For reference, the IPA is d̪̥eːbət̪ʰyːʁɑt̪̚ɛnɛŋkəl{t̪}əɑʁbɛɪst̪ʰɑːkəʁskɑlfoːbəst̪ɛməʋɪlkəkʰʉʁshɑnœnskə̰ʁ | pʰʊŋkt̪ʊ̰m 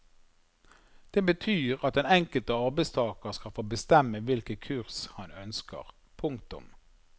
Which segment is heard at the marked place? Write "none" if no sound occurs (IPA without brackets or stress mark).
t̪